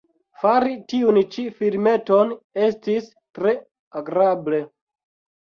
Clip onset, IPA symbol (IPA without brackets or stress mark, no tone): f